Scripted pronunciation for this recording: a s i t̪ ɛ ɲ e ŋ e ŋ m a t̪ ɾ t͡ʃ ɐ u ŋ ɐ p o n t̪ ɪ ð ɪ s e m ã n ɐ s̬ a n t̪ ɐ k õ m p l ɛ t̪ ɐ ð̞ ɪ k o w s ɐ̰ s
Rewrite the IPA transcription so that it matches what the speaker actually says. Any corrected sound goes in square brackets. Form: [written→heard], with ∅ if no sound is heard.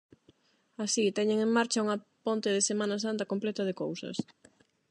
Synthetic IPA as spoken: a s i t̪ ɛ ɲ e ŋ e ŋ m a [t̪→∅] ɾ t͡ʃ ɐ u ŋ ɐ p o n t̪ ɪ ð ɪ s e m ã n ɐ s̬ a n t̪ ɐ k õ m p l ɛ t̪ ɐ ð̞ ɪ k o w s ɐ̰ s